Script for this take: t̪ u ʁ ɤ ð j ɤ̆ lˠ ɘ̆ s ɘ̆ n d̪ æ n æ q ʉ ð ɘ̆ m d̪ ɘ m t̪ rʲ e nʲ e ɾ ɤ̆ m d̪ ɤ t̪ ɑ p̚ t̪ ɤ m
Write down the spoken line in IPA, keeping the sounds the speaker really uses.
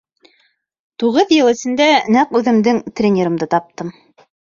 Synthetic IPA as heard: t̪ u ʁ ɤ ð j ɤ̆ lˠ ɘ̆ s ɘ̆ n d̪ æ n æ q ʉ ð ɘ̆ m d̪ ɘ ŋ t̪ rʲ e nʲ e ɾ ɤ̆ m d̪ ɤ t̪ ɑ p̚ t̪ ɤ m